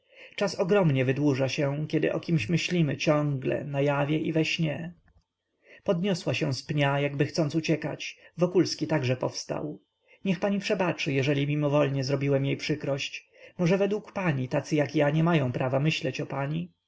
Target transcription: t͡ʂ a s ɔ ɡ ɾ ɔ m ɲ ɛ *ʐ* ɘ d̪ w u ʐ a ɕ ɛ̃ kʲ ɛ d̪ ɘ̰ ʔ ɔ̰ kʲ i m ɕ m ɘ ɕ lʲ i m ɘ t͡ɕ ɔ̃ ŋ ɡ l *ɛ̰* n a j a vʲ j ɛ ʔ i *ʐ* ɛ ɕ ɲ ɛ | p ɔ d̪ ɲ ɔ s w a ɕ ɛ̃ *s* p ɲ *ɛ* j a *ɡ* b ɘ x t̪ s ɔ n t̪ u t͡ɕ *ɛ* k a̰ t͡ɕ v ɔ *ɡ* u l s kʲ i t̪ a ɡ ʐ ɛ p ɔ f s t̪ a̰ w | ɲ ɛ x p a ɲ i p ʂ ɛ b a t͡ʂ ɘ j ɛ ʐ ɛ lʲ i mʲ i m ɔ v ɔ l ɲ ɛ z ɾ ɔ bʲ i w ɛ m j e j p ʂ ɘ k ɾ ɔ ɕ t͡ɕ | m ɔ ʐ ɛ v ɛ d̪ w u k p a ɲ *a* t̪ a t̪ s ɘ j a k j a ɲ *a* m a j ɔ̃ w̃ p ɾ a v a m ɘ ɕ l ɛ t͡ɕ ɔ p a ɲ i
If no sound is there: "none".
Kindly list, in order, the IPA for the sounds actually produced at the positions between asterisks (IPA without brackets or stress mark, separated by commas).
v, ɛ̰, v, s, a, ɡ, ɛ, k, i, ɛ